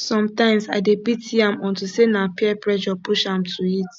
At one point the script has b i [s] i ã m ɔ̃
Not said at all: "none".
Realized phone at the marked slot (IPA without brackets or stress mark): t